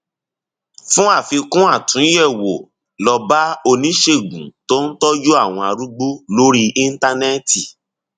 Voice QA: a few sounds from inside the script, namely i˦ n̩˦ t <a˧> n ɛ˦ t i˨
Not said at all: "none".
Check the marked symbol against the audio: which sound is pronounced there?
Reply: a˧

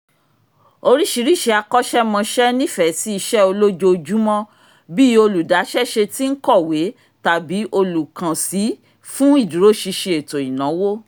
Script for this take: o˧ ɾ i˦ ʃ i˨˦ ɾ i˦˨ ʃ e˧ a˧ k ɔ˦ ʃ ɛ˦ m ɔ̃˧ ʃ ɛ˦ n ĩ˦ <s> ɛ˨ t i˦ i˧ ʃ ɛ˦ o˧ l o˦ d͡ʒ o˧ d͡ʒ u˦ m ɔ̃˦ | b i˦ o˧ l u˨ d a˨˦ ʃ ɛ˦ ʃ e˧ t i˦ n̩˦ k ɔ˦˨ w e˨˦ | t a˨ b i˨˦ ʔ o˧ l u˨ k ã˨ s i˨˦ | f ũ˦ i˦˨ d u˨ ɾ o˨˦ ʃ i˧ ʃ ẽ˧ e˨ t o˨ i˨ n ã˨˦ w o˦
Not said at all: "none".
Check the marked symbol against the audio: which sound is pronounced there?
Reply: f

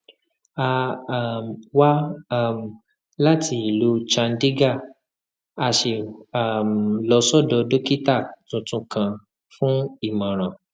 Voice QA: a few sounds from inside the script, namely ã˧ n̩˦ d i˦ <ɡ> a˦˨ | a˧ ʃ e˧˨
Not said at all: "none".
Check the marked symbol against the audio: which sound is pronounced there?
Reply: ɡ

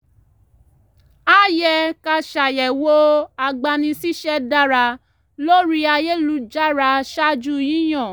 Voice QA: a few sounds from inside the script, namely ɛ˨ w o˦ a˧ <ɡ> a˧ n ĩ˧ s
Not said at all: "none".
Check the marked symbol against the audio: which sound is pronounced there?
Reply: ɡ͡b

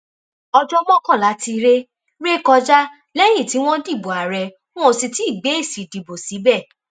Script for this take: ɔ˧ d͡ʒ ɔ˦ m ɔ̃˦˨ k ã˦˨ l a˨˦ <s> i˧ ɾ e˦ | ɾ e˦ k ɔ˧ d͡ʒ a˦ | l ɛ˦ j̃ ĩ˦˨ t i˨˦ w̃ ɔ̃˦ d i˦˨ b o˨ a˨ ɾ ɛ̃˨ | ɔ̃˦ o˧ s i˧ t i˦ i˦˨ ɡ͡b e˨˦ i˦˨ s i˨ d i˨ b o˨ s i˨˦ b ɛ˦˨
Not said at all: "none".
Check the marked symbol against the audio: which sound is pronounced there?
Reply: t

